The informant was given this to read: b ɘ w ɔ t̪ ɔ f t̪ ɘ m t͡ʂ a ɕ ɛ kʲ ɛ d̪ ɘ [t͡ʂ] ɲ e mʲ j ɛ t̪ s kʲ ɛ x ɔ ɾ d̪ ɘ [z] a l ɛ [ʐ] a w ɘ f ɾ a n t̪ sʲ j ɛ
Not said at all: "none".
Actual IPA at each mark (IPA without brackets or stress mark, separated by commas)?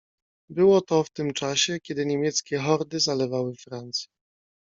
none, z, v